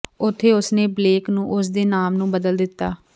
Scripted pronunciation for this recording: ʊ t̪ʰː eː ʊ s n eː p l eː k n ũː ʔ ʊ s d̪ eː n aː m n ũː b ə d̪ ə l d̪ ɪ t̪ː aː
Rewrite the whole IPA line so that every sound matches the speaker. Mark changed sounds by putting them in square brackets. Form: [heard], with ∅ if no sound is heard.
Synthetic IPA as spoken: ʊ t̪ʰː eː ʊ s n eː [b] l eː k n ũː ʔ ʊ s d̪ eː n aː m n ũː b ə d̪ ə l d̪ ɪ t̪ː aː